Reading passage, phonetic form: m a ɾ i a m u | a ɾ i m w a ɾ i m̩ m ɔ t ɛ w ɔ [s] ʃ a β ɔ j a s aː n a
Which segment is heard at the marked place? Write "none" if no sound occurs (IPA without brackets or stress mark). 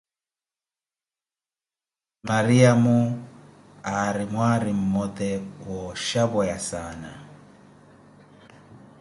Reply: none